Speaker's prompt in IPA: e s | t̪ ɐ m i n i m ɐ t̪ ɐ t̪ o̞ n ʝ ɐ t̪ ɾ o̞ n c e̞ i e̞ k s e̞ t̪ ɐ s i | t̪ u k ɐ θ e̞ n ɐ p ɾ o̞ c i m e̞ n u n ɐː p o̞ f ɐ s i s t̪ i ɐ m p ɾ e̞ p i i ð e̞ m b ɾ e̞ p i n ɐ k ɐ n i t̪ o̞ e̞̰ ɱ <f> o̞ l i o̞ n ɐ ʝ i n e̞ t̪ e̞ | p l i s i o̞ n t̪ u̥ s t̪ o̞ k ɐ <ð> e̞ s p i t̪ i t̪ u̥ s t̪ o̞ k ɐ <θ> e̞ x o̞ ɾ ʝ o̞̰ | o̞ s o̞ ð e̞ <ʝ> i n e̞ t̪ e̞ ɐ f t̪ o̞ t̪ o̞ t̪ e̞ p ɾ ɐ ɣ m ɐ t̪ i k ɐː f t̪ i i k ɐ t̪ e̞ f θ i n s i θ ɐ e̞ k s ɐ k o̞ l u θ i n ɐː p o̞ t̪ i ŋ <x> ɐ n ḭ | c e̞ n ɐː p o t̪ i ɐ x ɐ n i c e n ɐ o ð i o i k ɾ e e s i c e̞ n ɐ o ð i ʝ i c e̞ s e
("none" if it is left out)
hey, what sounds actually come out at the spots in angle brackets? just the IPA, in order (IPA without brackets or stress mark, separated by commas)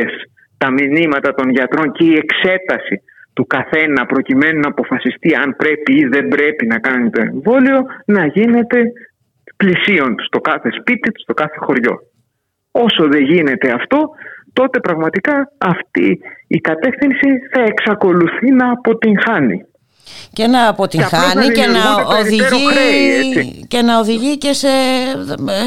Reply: v, θ, θ, ʝ, x